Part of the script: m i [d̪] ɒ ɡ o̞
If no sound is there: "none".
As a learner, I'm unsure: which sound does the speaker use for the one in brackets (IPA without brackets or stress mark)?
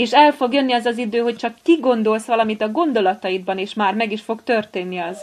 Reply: t̪